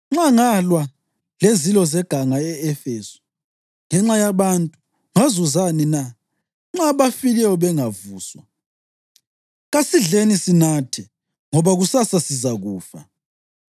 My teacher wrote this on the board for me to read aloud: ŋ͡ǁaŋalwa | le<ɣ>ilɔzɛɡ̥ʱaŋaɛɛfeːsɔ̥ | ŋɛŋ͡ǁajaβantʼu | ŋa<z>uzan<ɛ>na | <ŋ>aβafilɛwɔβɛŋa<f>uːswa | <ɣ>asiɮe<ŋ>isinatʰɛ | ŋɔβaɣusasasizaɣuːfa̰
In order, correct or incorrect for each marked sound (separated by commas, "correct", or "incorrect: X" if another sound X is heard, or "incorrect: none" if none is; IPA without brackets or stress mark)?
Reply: incorrect: z, correct, incorrect: i, incorrect: ŋ͡ǁ, incorrect: v, correct, incorrect: n